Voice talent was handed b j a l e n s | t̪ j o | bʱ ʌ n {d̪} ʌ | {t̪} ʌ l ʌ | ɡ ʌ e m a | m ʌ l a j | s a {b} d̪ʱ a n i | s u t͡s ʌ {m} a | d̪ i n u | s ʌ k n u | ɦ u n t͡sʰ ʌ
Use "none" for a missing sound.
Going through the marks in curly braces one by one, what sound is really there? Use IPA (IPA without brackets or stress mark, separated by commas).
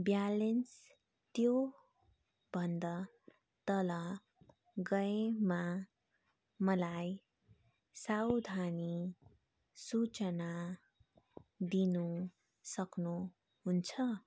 d̪, t̪, w, n